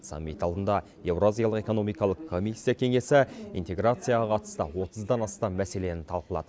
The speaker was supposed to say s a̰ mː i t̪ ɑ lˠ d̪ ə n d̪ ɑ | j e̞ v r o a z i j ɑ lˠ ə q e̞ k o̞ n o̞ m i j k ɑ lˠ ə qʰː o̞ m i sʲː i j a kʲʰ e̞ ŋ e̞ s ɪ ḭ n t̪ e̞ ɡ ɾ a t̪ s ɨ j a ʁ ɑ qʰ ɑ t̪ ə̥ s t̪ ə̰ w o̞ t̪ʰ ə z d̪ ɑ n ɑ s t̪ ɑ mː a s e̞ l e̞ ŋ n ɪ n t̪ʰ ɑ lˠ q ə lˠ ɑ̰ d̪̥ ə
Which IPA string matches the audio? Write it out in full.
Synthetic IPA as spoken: s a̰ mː i t̪ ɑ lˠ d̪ ə n d̪ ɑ | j e̞ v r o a z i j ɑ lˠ ə q e̞ k o̞ n o̞ m i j k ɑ lˠ ə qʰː o̞ m i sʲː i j a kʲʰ e̞ ŋ e̞ s ɪ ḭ n t̪ e̞ ɡ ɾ a t̪ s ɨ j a ʁ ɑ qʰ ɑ t̪ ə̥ s t̪ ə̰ w o̞ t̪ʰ ə z d̪ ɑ n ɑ s t̪ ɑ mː æ s e̞ l e̞ n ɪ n t̪ʰ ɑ lˠ q ə lˠ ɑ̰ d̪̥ ə